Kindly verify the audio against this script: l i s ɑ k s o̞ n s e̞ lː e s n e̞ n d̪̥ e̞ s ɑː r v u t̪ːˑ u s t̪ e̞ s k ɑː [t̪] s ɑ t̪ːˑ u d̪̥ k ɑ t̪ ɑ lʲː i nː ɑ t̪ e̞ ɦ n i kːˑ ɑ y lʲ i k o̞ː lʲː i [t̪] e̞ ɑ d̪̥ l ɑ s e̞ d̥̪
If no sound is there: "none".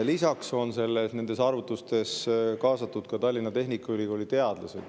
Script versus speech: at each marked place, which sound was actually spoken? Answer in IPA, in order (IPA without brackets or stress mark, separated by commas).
none, t̪